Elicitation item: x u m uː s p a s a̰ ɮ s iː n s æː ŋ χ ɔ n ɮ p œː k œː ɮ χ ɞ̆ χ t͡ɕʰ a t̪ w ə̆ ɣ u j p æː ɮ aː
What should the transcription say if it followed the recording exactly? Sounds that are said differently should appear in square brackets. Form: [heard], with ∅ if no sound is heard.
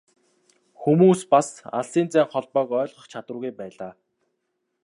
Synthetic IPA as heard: x u m uː s p a s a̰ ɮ s iː n [t͡s] æː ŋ χ ɔ [∅] ɮ p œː k œː ɮ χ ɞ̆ χ t͡ɕʰ a t̪ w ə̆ ɣ u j p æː ɮ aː